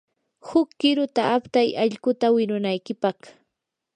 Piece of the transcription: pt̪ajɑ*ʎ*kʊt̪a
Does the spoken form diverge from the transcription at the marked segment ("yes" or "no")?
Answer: no